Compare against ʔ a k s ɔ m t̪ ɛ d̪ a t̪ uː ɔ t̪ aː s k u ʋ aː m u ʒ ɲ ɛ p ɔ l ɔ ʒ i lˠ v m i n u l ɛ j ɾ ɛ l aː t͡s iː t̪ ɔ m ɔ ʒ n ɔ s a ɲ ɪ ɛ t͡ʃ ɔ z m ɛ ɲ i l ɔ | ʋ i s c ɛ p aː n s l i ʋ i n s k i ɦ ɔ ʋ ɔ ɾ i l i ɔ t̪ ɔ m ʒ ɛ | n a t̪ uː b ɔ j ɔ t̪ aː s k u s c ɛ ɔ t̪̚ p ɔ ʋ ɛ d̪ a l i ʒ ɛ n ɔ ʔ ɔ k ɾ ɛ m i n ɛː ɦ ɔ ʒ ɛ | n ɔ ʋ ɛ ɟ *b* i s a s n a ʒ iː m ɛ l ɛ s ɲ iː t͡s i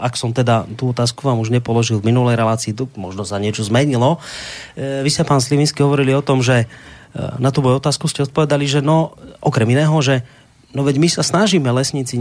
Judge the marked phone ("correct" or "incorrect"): incorrect